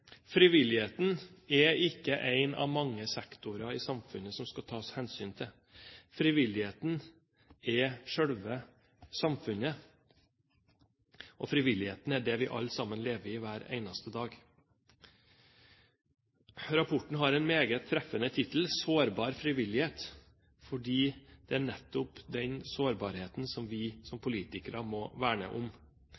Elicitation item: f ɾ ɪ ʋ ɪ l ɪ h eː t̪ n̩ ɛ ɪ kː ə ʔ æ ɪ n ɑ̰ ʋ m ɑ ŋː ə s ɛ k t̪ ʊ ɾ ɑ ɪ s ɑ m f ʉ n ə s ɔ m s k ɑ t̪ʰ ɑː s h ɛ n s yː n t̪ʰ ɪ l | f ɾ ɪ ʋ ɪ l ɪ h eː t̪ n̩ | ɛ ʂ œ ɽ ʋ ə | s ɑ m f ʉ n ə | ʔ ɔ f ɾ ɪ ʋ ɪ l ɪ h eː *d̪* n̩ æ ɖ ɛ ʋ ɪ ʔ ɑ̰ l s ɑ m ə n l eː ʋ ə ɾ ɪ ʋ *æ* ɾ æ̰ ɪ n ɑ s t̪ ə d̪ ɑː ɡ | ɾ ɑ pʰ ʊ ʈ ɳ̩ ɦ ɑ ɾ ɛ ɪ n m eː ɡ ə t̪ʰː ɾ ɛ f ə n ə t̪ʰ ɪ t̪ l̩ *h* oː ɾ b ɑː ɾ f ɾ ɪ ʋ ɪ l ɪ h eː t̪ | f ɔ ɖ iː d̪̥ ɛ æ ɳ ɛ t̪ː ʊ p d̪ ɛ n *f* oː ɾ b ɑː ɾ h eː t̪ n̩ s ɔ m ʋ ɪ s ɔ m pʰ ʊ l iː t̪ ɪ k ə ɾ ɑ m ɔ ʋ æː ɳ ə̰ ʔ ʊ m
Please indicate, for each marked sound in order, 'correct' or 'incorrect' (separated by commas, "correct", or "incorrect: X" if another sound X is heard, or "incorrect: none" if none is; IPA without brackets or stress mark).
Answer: incorrect: t̪, incorrect: æː, incorrect: s, incorrect: s